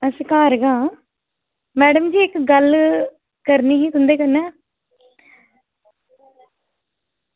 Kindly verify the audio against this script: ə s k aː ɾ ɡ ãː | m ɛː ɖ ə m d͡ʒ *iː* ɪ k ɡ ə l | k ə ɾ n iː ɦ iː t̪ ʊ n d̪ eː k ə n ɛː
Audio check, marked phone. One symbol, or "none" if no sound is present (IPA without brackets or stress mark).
iː